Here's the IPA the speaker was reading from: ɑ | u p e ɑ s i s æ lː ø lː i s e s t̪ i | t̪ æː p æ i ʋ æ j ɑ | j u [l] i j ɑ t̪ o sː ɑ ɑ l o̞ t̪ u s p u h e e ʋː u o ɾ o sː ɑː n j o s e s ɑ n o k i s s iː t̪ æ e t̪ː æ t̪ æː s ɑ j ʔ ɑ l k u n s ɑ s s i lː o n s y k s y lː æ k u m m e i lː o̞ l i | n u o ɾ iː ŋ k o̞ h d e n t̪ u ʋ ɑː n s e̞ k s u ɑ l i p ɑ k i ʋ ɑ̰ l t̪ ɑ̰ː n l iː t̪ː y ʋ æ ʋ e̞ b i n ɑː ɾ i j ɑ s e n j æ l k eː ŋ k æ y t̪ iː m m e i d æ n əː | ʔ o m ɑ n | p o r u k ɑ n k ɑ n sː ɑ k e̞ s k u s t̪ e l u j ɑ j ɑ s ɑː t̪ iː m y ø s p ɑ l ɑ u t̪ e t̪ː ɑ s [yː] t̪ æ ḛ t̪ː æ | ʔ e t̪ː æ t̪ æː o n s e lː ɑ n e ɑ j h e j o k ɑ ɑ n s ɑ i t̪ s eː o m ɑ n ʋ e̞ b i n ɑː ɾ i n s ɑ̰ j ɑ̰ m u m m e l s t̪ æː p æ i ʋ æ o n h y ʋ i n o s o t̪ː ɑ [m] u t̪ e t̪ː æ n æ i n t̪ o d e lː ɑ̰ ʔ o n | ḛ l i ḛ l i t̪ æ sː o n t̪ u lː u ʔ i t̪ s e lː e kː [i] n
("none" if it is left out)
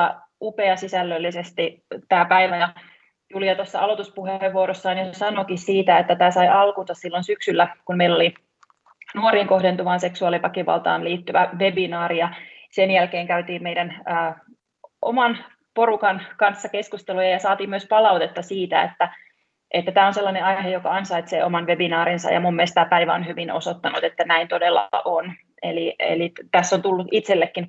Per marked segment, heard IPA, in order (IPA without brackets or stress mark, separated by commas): l, iː, n, i